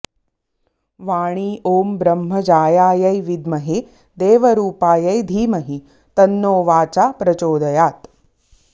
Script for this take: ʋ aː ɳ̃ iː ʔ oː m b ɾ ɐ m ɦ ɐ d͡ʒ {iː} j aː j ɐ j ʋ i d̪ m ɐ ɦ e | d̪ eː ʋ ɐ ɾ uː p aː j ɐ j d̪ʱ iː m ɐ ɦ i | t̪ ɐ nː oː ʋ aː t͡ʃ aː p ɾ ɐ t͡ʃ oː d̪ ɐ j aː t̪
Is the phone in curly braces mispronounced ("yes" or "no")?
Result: yes